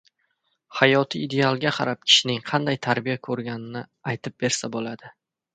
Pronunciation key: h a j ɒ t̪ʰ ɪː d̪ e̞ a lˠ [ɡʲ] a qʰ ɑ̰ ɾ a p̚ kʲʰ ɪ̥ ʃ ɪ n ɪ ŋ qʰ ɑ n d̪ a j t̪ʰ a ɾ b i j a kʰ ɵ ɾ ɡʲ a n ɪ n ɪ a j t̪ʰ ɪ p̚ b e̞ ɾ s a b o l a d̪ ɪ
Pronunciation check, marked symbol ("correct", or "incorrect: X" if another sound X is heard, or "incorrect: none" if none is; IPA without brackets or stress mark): correct